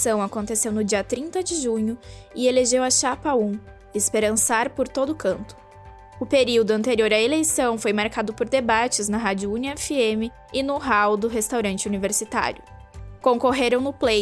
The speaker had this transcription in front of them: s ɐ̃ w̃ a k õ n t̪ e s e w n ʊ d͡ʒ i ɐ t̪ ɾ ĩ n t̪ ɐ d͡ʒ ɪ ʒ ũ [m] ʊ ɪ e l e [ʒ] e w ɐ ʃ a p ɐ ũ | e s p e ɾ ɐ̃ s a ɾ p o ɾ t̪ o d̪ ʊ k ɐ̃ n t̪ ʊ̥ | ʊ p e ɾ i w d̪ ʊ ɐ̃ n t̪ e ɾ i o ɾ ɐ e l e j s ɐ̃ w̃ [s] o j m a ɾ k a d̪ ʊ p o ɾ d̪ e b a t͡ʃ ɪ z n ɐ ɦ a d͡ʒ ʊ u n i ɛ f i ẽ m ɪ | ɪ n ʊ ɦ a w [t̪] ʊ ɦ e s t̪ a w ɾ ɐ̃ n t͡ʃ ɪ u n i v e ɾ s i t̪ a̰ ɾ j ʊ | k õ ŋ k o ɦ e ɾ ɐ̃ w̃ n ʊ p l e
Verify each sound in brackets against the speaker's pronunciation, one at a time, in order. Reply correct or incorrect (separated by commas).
incorrect, correct, incorrect, incorrect